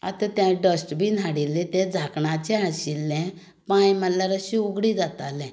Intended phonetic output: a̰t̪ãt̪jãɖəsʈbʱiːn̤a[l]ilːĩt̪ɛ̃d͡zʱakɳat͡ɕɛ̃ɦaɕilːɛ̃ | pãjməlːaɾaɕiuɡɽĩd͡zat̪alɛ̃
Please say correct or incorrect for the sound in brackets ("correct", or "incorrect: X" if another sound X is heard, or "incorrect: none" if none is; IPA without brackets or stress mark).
incorrect: ɽ